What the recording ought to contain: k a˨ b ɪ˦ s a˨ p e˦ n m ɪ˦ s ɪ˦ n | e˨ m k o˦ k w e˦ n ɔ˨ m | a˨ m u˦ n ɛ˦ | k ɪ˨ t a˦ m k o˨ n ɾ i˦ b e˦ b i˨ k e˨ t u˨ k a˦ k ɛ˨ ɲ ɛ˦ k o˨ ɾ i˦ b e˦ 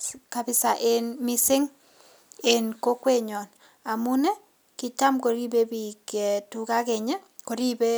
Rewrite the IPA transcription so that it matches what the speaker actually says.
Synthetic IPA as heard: k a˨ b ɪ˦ s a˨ ʔ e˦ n m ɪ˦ s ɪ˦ ŋ | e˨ n k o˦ k w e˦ ɲ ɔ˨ n | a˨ m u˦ n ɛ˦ | k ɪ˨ t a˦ m k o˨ ɾ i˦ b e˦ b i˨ k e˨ t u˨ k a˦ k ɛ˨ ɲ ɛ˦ k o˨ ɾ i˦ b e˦